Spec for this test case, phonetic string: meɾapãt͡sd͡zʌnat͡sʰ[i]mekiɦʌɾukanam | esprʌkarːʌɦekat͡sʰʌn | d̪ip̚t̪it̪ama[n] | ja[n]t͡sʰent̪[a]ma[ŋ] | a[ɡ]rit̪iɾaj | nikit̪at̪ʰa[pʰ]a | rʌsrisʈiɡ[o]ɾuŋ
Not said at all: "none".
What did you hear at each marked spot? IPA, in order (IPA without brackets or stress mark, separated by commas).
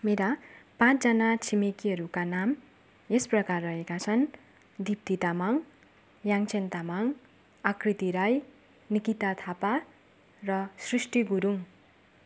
i, ŋ, ŋ, a, ŋ, k, p, u